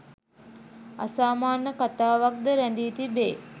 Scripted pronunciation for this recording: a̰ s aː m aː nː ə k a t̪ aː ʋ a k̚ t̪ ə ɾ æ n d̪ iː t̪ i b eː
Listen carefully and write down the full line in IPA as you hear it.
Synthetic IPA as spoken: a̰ s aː m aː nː ə k a t̪ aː ʋ a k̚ d̪ ə ɾ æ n d̪ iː t̪ i b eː